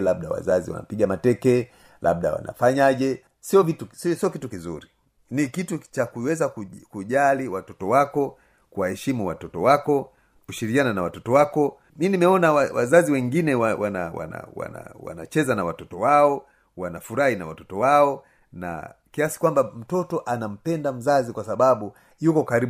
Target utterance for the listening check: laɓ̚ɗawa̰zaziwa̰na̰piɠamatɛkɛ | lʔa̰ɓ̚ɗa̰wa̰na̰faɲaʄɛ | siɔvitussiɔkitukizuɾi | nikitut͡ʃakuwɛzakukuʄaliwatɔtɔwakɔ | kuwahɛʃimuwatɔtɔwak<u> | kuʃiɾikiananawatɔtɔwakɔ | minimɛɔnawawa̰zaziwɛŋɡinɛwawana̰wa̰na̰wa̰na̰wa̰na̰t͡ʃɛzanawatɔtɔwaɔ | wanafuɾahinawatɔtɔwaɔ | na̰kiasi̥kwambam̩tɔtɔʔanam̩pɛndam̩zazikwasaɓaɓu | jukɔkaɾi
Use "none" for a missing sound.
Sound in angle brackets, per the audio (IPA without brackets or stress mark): ɔ